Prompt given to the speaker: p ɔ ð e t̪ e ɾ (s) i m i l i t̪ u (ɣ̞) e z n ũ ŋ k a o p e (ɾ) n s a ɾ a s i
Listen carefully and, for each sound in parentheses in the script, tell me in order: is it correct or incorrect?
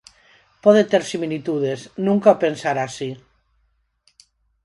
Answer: correct, incorrect, incorrect

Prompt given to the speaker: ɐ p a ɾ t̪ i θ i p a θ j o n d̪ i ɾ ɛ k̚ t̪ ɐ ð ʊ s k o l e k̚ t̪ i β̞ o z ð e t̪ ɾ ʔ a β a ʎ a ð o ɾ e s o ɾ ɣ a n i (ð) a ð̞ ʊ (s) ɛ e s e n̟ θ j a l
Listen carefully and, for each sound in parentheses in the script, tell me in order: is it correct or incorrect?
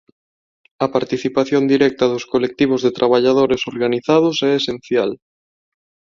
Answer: incorrect, correct

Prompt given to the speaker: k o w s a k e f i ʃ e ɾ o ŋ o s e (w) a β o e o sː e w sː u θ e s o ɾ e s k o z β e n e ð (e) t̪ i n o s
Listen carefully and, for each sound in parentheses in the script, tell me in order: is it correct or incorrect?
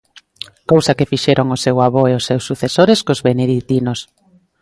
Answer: correct, incorrect

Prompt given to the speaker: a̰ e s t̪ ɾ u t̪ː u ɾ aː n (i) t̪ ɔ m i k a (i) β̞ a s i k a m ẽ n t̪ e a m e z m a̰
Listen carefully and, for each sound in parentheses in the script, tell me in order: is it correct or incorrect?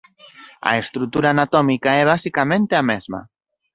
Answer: incorrect, incorrect

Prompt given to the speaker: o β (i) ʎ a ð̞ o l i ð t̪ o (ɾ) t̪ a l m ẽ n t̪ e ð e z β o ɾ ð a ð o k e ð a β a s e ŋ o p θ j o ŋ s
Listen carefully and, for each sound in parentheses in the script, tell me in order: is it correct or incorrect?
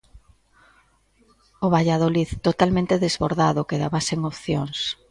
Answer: incorrect, incorrect

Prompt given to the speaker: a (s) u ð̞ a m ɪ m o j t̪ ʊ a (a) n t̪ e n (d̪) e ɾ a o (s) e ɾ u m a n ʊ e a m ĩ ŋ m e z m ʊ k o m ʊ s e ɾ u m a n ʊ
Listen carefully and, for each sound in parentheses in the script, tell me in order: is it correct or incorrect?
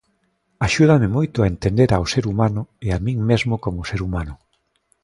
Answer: incorrect, incorrect, correct, correct

